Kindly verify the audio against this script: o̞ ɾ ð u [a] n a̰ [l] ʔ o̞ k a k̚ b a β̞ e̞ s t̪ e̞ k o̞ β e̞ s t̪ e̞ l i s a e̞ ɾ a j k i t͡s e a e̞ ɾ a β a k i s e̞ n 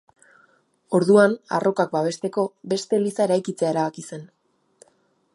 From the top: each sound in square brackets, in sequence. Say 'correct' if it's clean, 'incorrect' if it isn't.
correct, incorrect: r

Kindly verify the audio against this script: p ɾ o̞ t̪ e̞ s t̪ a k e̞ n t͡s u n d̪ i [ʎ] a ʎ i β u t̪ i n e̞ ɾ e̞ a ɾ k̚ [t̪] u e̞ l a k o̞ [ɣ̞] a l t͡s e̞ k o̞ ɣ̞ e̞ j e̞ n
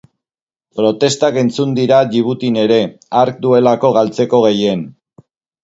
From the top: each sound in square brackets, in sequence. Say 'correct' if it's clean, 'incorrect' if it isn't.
incorrect: ɾ, incorrect: d̪, correct

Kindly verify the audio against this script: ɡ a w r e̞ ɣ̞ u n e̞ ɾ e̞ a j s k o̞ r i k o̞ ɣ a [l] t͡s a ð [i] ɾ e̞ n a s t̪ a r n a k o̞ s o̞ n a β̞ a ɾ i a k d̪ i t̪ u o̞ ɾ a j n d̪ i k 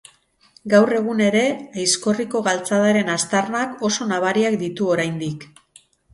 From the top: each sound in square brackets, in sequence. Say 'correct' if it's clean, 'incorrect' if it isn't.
correct, incorrect: a

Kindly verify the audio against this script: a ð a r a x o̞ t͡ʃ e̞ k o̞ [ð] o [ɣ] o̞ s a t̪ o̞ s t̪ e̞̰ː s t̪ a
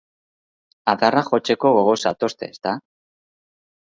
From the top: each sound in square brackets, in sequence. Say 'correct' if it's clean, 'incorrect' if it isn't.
incorrect: ɣ, correct

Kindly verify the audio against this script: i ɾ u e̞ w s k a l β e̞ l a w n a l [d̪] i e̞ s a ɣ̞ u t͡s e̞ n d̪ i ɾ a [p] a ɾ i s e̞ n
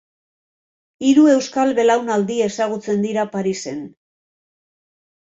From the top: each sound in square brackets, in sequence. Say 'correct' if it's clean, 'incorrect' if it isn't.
correct, correct

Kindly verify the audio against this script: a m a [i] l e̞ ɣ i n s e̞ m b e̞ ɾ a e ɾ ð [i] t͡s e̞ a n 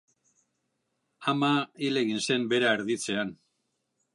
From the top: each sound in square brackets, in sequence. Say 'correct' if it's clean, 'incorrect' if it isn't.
correct, correct

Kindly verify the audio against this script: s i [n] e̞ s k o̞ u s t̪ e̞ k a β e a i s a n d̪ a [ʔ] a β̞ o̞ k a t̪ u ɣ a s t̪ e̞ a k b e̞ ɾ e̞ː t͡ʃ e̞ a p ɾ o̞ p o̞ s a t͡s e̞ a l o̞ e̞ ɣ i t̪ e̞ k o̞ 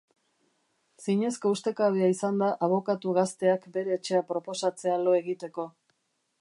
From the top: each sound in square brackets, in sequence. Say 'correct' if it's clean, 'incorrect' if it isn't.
incorrect: ɲ, correct

